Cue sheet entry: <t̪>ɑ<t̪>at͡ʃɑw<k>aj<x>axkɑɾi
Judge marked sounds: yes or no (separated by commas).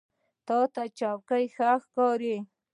yes, yes, yes, yes